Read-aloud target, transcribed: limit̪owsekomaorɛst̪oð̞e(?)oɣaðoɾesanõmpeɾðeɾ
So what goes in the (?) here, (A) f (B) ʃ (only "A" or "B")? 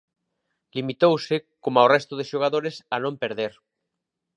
B